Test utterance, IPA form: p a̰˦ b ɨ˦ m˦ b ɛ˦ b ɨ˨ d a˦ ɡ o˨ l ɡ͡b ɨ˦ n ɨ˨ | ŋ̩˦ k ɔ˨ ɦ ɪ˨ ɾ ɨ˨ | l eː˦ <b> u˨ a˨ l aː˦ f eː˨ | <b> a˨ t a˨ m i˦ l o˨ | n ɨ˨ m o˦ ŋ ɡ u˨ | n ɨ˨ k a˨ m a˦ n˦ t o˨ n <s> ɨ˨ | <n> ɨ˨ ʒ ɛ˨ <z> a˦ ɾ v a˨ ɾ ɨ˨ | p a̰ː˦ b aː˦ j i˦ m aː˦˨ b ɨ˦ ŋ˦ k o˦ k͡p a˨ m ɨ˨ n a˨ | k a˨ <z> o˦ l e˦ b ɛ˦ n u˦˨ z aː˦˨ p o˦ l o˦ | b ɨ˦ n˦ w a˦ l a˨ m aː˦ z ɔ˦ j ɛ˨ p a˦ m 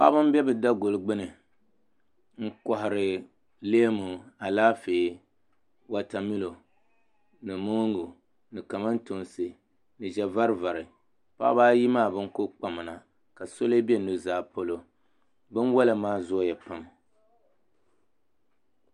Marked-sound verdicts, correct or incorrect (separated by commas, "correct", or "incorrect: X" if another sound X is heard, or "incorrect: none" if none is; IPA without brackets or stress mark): incorrect: m, incorrect: w, correct, correct, incorrect: v, incorrect: s